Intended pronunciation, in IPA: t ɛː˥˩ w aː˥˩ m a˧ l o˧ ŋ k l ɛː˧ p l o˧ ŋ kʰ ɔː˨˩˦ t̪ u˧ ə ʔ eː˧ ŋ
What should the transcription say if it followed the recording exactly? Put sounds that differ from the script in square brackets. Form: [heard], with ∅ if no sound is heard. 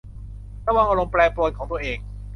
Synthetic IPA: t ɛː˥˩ w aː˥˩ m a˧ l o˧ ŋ [p] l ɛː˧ p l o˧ [n] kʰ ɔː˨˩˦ t̪ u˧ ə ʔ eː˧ ŋ